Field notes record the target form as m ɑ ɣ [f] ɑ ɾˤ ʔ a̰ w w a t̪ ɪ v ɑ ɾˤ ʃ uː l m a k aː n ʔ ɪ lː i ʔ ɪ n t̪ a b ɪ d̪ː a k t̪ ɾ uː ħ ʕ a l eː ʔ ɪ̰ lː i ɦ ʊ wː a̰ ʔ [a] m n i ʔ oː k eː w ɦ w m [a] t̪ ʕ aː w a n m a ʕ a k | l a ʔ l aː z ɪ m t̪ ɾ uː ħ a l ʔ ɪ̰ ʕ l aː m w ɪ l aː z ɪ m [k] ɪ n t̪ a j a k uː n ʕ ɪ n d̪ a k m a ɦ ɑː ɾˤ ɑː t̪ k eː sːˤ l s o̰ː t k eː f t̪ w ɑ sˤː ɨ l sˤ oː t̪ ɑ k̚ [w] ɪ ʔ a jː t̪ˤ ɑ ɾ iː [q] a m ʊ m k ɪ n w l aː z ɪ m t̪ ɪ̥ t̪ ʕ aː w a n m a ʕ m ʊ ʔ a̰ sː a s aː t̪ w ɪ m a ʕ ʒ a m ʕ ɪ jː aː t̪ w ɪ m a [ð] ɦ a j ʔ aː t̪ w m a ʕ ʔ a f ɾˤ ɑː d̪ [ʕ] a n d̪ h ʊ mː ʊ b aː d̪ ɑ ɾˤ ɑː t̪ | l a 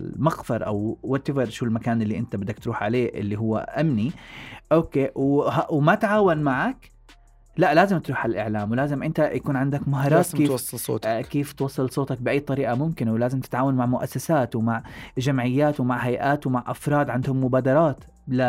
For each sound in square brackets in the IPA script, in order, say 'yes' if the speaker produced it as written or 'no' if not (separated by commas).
yes, yes, yes, no, no, no, no, yes